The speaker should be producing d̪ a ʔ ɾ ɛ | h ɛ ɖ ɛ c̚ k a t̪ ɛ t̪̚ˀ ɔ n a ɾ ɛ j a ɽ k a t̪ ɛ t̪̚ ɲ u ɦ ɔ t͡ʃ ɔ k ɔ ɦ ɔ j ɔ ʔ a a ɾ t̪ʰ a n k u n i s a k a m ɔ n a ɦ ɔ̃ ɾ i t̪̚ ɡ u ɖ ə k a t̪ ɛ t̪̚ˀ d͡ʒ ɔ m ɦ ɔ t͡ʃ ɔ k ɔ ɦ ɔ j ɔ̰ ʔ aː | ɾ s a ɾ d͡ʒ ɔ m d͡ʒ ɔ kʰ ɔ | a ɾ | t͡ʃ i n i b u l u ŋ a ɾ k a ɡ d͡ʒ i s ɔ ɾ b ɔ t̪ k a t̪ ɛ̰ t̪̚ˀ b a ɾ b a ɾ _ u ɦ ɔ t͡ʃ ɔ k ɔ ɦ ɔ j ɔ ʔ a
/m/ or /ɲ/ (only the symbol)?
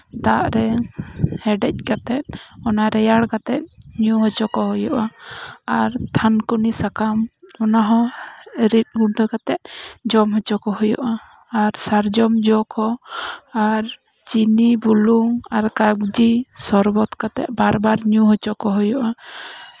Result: ɲ